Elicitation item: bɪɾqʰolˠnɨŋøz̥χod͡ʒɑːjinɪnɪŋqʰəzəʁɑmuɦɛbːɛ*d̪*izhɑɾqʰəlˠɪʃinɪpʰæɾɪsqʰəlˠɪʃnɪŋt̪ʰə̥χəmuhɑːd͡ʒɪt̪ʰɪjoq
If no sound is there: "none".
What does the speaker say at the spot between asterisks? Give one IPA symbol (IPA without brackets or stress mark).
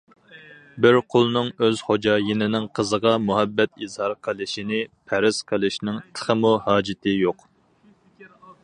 t̪